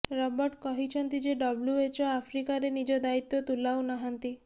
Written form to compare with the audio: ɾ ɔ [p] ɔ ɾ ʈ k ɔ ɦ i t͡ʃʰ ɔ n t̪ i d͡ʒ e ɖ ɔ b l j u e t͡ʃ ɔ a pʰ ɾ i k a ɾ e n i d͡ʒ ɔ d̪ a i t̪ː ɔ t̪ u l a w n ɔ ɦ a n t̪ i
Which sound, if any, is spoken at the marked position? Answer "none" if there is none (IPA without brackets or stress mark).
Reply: b